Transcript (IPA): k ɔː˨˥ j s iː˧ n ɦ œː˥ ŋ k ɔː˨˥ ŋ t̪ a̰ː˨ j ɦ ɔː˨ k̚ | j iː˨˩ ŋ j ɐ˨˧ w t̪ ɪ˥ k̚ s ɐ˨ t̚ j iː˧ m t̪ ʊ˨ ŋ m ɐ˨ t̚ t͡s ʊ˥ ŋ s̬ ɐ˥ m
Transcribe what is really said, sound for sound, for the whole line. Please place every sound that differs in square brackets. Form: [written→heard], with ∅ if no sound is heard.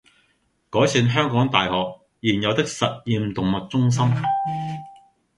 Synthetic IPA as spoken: k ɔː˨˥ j s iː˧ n ɦ œː˥ ŋ k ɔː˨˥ ŋ t̪ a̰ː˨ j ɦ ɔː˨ k̚ | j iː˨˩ [ŋ→n] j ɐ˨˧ w t̪ ɪ˥ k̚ s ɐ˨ t̚ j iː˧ m t̪ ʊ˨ ŋ m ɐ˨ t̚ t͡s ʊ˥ ŋ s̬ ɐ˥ m